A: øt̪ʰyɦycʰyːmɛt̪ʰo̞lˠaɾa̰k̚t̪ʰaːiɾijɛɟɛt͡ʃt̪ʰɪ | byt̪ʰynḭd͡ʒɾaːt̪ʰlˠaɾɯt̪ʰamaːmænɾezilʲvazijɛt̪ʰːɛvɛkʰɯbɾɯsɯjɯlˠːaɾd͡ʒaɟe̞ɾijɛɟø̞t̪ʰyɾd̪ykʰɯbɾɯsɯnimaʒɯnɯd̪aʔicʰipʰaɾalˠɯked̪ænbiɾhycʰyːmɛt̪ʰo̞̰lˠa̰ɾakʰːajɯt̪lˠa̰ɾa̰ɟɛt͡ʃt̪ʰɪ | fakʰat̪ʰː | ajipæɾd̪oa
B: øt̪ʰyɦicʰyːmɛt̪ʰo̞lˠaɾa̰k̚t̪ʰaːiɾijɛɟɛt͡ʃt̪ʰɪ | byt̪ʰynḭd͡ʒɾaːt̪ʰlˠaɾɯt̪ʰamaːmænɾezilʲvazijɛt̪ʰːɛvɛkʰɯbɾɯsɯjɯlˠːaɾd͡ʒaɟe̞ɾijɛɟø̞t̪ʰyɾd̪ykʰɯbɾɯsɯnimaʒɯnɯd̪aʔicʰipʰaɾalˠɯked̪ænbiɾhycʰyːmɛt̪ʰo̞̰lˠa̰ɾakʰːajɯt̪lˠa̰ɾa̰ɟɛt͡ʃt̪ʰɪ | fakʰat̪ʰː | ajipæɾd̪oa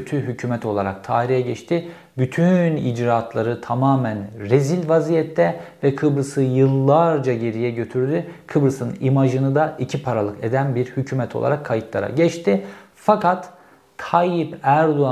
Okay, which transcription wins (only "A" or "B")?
A